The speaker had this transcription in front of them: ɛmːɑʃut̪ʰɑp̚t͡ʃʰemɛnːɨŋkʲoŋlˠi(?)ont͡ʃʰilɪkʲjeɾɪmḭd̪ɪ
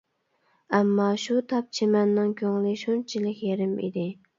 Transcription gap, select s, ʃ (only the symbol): ʃ